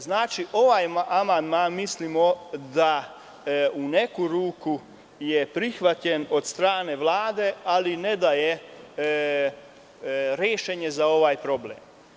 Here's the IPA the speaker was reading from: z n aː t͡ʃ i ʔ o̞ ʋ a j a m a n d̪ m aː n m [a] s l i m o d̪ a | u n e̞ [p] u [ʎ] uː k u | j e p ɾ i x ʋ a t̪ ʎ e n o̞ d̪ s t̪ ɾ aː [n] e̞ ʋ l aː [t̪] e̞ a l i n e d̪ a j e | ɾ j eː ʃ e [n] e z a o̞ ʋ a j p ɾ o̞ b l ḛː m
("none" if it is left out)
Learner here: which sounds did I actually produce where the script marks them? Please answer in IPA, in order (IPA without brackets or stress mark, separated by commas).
i, k, ɾ, n, d̪, ɲ